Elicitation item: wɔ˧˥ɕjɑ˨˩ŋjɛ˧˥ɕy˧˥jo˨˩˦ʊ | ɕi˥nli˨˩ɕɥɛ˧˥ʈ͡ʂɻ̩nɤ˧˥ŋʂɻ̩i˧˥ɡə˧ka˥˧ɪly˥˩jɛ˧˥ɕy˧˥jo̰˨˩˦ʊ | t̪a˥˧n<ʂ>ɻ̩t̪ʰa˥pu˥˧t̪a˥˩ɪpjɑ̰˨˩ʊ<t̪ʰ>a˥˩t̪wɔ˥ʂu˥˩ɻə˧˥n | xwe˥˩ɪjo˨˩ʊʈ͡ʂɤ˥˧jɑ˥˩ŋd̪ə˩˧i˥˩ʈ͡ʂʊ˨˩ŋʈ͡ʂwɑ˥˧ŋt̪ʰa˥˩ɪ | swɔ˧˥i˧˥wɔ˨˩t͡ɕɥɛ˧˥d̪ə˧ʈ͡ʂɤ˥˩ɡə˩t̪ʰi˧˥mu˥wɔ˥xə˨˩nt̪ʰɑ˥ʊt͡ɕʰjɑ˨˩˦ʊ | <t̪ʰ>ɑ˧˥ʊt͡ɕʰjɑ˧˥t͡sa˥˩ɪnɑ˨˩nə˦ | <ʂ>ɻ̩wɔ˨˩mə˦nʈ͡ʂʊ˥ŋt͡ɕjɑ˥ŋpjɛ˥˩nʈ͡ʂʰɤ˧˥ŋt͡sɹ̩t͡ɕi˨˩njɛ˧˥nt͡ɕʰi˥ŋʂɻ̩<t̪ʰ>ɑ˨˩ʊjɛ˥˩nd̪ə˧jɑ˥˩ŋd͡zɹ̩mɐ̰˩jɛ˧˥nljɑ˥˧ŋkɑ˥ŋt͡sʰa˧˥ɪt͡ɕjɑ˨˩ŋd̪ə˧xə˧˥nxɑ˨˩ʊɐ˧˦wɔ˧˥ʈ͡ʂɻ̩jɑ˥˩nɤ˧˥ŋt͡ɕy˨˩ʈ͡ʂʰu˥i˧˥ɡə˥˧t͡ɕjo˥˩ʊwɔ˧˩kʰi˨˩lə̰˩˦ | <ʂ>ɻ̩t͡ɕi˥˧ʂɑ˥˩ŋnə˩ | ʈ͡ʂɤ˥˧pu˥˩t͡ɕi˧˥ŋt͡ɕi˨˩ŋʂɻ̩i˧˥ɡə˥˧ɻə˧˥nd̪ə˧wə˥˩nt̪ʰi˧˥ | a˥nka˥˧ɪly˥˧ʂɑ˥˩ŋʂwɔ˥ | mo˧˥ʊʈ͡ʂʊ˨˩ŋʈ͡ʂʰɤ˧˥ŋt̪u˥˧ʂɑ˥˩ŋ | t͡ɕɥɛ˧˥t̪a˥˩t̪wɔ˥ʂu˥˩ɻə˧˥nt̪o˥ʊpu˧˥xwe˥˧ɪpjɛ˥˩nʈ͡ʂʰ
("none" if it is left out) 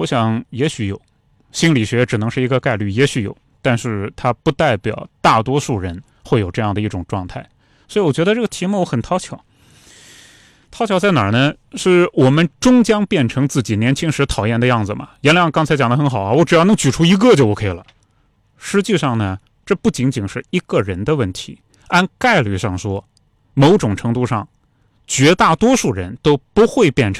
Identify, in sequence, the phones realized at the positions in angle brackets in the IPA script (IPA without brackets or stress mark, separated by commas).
ʂ, t̪, t̪ʰ, ʂ, t̪ʰ, ʂ